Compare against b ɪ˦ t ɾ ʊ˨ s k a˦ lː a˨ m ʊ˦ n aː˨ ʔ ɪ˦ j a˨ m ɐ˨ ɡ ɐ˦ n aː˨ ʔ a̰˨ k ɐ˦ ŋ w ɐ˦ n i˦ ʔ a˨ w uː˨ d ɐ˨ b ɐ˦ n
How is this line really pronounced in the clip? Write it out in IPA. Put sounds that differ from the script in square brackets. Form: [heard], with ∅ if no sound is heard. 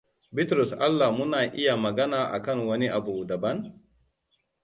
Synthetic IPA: b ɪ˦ t ɾ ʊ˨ s [ʔ] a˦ lː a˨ m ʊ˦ n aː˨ ʔ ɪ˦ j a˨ m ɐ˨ ɡ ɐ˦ n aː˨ ʔ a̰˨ k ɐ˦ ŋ w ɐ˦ n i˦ ʔ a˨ [b] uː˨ d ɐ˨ b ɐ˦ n